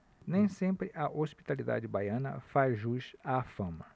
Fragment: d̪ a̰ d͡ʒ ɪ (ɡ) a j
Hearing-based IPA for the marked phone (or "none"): b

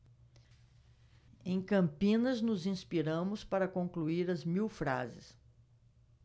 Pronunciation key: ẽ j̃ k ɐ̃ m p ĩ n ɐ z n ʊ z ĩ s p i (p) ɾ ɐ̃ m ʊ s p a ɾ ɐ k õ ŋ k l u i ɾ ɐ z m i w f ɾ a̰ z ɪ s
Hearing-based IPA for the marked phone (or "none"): none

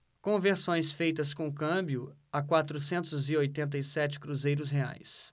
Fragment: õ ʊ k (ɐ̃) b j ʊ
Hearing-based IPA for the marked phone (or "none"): ɐ̃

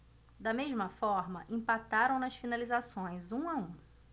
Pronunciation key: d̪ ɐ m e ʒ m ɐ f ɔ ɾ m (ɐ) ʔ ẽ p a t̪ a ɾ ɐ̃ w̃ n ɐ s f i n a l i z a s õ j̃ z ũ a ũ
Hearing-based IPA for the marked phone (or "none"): ɐ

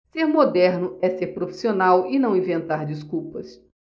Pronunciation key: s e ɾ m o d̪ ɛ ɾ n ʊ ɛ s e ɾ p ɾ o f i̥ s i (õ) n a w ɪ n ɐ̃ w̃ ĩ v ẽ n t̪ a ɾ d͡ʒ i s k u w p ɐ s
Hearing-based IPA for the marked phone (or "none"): o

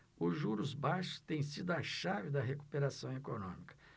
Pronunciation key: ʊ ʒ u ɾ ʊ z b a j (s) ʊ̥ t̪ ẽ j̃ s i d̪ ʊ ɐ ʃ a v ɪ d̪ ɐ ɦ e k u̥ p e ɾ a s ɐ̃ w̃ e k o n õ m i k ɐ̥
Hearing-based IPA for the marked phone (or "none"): ʃ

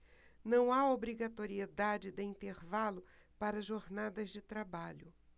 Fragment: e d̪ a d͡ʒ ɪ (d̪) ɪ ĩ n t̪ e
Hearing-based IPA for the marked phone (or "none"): d̪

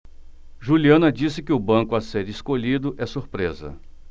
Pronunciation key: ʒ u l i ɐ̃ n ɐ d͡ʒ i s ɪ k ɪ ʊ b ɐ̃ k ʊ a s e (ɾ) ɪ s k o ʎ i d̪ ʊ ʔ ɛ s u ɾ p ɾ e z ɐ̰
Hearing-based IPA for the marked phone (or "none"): ɾ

